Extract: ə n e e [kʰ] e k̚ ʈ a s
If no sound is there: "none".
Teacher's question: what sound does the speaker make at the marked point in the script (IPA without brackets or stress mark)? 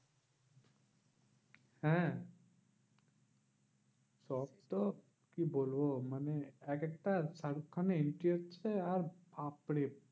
k